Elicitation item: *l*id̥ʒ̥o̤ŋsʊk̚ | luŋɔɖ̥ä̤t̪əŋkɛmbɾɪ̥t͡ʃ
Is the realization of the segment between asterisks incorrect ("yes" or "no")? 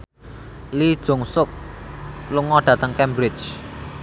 no